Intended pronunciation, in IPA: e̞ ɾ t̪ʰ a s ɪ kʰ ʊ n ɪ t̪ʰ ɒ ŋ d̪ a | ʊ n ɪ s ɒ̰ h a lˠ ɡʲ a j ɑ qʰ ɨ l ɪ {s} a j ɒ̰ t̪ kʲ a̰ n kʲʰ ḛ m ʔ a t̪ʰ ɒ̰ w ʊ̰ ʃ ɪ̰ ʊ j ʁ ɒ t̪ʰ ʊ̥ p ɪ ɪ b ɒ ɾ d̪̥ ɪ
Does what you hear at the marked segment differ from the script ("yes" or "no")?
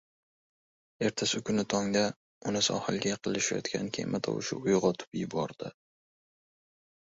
yes